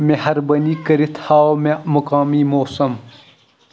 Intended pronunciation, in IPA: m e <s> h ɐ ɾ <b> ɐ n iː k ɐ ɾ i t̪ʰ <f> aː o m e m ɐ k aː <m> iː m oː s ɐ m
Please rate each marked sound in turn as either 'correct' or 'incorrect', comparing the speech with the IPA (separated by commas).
incorrect, correct, incorrect, correct